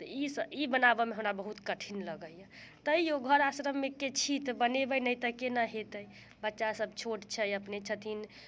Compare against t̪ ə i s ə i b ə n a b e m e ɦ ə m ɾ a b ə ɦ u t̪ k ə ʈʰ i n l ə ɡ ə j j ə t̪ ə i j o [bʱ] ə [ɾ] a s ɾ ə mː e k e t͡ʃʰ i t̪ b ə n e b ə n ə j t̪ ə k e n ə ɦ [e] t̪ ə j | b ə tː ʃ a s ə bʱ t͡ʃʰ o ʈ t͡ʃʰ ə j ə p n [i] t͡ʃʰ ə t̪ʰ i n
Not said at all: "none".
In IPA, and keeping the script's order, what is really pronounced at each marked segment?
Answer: ɡʱ, ɾ, e, e

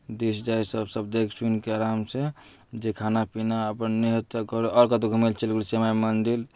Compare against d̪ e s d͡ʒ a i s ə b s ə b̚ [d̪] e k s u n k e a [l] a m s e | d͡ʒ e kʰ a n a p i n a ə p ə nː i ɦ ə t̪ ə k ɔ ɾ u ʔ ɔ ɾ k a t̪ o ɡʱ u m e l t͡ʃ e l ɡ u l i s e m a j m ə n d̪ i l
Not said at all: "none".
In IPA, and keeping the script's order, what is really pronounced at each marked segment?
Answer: d̪, ɾ

